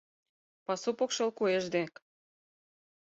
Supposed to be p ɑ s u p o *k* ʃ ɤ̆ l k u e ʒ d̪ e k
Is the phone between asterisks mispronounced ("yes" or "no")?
no